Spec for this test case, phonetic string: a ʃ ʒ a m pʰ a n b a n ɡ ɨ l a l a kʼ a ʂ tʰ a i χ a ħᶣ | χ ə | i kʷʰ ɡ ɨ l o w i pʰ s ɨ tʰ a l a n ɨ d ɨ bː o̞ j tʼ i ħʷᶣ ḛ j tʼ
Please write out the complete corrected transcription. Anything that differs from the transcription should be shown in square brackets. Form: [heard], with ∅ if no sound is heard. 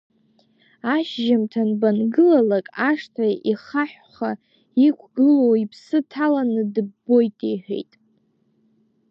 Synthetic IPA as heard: a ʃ ʒ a m [tʰ] a n b a n ɡ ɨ l a l a kʼ a ʂ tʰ a i χ a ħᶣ | χ [a] | i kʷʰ ɡ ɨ l o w i pʰ s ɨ tʰ a l a n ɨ d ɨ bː o̞ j tʼ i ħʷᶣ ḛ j tʼ